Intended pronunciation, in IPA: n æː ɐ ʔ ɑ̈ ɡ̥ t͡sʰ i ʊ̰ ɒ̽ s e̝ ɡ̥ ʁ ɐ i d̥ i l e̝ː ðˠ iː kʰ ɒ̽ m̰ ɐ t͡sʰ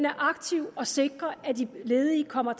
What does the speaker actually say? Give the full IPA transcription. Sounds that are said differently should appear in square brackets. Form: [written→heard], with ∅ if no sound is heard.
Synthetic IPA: n [æː→æ] ɐ ʔ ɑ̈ ɡ̥ t͡sʰ i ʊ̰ ɒ̽ s e̝ ɡ̥ ʁ ɐ [i→æ] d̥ i l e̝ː ðˠ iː kʰ ɒ̽ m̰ ɐ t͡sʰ